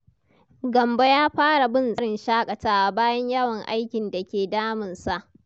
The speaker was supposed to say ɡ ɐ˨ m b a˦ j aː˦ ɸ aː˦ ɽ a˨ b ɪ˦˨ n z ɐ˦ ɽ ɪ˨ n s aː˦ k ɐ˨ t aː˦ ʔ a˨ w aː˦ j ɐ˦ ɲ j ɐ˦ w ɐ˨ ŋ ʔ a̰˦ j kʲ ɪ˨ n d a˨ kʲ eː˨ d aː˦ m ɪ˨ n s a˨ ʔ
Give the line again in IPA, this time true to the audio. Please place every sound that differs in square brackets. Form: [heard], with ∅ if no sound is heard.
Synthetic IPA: ɡ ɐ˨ m b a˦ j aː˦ ɸ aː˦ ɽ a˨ b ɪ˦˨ n z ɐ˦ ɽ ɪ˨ n [ʃ] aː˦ [kʼ] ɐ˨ t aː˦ ʔ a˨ [b] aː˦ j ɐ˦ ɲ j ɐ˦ w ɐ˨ ŋ ʔ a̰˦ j kʲ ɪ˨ n d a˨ kʲ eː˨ d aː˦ m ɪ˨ n s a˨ ʔ